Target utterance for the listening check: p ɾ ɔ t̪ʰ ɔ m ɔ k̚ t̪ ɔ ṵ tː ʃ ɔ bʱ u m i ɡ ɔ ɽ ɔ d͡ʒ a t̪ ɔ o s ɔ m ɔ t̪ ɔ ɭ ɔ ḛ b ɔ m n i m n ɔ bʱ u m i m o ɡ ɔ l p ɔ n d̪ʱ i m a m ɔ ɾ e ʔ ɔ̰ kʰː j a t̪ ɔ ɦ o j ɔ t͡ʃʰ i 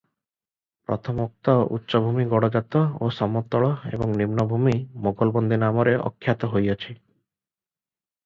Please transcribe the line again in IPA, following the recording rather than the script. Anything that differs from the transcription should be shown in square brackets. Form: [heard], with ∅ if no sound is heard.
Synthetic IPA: p ɾ ɔ t̪ʰ ɔ m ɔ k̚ t̪ ɔ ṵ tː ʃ ɔ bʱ u m i ɡ ɔ ɽ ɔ d͡ʒ a t̪ ɔ o s ɔ m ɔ t̪ ɔ ɭ ɔ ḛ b ɔ [ŋ] n i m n ɔ bʱ u m i m o ɡ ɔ l [b] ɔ n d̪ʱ i [n] a m ɔ ɾ e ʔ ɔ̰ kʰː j a t̪ ɔ ɦ o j ɔ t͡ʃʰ i

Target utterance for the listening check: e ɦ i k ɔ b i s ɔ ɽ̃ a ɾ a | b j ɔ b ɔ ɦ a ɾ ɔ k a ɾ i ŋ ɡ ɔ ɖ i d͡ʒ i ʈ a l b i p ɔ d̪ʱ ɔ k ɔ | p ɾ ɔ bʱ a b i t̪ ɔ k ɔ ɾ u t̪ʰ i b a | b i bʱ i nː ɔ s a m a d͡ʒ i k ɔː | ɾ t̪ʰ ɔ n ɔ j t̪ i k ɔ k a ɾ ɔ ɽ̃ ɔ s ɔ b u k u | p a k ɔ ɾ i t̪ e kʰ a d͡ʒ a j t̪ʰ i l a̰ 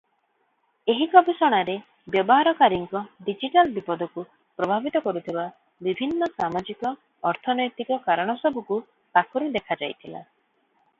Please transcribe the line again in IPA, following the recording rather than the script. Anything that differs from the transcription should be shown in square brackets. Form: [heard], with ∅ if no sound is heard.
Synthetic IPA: e ɦ i k ɔ b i s ɔ ɽ̃ a ɾ [e] | b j ɔ b ɔ ɦ a ɾ ɔ k a ɾ i ŋ [k] ɔ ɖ i d͡ʒ i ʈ a l b i p ɔ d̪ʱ ɔ k [u] | p ɾ ɔ bʱ a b i t̪ ɔ k ɔ ɾ u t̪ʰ i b a | b i bʱ i nː ɔ s a m a d͡ʒ i k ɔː | ɾ t̪ʰ ɔ n ɔ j t̪ i k ɔ k a ɾ ɔ ɽ̃ ɔ s ɔ b u k u | p a k ɔ ɾ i [d̪] e kʰ a d͡ʒ a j t̪ʰ i l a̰

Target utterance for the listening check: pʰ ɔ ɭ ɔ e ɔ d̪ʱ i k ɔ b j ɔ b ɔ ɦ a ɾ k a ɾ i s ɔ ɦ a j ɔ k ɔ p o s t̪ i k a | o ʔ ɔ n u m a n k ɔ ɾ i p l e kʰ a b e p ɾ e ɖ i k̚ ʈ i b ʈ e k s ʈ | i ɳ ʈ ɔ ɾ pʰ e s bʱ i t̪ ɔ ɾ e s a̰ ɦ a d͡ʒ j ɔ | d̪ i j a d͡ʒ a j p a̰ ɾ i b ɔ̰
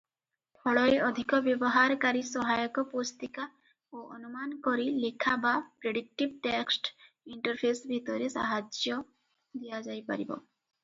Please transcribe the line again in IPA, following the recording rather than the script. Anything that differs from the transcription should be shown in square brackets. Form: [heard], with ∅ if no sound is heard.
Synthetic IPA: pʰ ɔ ɭ ɔ e ɔ d̪ʱ i k ɔ b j ɔ b ɔ ɦ a ɾ k a ɾ i s ɔ ɦ a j ɔ k ɔ p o s t̪ i k a | o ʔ ɔ n u m a n k ɔ ɾ i [∅] l e kʰ a b [a] p ɾ e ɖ i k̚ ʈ i b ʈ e k s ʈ | i ɳ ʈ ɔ ɾ pʰ e s bʱ i t̪ ɔ ɾ e s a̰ ɦ a d͡ʒ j ɔ | d̪ i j a d͡ʒ a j p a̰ ɾ i b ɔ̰

